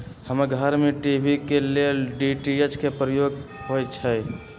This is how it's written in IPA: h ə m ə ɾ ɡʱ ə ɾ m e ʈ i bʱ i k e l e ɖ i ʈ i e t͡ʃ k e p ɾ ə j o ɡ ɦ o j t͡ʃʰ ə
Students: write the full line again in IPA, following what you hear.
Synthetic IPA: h ə m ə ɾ ɡʱ ə ɾ m e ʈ i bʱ i k e l e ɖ i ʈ i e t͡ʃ k e p ɾ ə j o ɡ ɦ o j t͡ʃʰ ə